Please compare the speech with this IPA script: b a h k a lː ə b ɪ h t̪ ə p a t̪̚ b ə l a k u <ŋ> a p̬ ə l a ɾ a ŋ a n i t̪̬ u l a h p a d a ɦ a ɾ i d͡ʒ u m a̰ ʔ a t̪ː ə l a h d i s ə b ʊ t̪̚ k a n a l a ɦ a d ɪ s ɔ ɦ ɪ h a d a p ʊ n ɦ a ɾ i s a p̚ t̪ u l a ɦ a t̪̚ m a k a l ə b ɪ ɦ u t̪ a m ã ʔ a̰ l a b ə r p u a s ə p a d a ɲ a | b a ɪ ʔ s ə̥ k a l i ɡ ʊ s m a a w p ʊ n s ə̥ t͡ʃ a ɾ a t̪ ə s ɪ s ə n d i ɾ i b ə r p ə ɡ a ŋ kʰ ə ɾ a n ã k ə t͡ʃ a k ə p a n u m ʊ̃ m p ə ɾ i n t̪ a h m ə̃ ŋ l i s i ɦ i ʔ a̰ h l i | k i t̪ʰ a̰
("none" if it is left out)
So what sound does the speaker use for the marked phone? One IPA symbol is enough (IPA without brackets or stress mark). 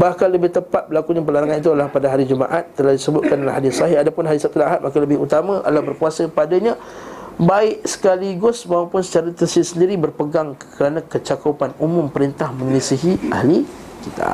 ɲ